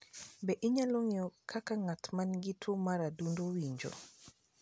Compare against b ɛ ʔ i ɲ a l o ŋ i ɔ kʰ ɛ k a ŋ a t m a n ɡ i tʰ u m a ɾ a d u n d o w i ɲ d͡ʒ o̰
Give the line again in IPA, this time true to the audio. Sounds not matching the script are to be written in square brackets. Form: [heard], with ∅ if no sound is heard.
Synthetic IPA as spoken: b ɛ ʔ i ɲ a l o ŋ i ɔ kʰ [a] k a ŋ a t m a n ɡ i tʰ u m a ɾ a d u n d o w i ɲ d͡ʒ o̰